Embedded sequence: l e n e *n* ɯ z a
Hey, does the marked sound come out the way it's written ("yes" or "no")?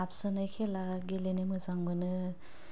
no